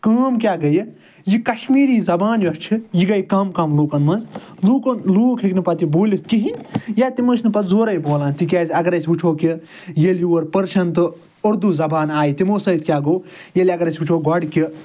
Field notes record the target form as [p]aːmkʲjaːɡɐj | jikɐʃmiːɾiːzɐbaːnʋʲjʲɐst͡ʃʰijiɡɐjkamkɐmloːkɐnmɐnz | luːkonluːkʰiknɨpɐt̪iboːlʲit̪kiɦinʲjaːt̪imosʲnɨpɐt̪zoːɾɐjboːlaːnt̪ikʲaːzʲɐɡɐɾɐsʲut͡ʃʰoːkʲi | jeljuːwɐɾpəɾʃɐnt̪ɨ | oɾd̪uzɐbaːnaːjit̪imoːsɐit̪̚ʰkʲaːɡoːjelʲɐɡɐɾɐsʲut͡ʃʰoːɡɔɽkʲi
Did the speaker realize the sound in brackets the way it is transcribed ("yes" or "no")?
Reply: no